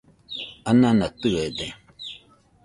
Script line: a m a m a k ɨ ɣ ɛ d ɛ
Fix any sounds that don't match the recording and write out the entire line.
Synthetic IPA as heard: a n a n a t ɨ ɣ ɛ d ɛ

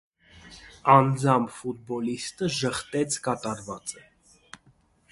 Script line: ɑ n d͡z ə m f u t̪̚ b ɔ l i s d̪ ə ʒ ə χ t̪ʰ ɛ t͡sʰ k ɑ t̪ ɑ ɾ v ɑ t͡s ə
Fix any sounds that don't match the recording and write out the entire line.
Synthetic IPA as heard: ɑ n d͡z ɑ m f u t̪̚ b ɔ l i s t̪ ə ʒ ə χ t̪ ɛ t͡sʰ k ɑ t̪ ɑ ɾ v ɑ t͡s ə

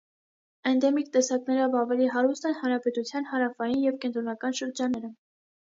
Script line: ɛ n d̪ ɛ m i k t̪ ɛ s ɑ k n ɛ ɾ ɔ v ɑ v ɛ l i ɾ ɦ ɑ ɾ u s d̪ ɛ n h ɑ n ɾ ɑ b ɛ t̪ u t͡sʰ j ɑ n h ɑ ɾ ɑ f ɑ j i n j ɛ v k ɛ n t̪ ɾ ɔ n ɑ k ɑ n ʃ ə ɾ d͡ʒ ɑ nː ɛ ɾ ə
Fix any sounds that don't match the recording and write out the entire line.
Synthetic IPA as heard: ɛ n d̪ ɛ m i k t̪ ɛ s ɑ k n ɛ ɾ ɔ v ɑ v ɛ l i ɦ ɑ ɾ u s t̪ ɛ n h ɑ n ɾ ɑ p ɛ t̪ u t͡sʰ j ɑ n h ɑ ɾ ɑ f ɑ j i n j ɛ v k ɛ n t̪ ɾ ɔ n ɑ k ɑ n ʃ ə ɾ d͡ʒ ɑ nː ɛ ɾ ə

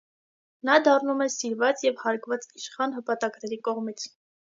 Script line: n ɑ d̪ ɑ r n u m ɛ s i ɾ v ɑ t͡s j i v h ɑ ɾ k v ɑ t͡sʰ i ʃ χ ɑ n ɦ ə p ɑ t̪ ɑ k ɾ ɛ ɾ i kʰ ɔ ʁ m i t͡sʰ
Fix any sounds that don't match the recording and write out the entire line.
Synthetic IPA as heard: n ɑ d̪ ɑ r n u m ɛ s i ɾ v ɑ t͡s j ɛ v h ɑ ɾ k v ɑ t͡s i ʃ χ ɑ n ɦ ə p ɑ t̪ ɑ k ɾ ɛ ɾ i k ɔ ʁ m i t͡sʰ

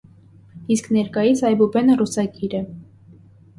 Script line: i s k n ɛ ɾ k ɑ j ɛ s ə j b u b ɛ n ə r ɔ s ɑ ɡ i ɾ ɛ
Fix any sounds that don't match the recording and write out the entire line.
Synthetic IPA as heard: i s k n ɛ ɾ k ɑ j i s ɑ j b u b ɛ n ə r u s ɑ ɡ i ɾ ɛ

